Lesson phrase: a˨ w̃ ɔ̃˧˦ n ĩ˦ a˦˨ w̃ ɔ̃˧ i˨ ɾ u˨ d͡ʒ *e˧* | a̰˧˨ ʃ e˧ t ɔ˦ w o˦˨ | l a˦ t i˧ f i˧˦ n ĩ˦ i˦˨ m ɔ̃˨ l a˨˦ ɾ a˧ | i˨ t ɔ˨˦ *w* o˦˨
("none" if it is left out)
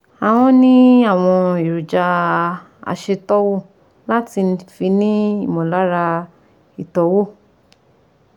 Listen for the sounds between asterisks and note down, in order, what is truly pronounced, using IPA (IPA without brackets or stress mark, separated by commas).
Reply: a˧, w